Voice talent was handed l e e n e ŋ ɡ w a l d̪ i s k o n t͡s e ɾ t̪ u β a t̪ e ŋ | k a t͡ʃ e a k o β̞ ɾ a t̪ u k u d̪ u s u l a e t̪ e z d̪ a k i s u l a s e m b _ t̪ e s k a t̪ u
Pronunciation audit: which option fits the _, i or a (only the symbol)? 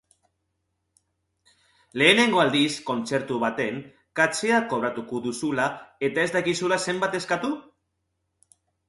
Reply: a